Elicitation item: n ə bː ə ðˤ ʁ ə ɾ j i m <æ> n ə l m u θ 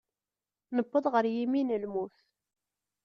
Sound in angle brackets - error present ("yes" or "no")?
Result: yes